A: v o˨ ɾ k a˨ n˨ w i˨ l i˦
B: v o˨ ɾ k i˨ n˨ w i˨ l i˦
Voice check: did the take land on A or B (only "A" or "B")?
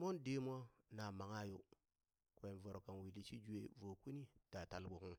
A